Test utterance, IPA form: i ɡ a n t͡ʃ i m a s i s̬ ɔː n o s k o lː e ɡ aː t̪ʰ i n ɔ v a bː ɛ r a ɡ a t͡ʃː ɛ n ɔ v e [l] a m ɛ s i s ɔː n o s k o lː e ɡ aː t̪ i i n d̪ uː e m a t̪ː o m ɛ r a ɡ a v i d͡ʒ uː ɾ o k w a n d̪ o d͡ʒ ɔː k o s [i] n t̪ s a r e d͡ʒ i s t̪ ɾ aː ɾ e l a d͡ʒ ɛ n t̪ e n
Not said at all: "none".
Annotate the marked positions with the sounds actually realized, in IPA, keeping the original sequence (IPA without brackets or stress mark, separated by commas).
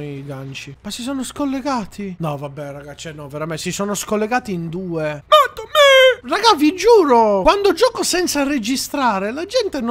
ɾ, ɛ